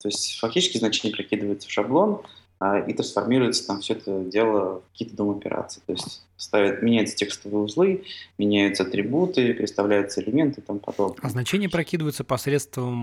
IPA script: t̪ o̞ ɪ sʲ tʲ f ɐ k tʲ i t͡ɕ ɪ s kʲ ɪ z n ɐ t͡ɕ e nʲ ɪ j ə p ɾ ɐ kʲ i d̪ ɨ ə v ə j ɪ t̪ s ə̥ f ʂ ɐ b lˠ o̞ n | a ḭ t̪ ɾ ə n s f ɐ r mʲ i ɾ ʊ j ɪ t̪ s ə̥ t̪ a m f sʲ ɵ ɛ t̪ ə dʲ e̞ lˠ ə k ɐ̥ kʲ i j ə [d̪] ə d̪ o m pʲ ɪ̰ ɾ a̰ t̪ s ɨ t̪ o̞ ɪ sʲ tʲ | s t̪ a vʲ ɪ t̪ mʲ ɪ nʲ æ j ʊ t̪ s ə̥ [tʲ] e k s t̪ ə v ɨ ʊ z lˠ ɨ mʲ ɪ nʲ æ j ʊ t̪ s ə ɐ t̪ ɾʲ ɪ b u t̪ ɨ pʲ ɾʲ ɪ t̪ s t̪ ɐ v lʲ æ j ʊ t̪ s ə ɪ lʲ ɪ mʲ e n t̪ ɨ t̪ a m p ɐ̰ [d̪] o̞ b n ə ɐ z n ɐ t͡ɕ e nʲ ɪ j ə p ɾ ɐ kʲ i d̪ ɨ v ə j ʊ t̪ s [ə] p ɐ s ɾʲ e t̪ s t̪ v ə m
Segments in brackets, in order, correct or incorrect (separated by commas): incorrect, correct, correct, correct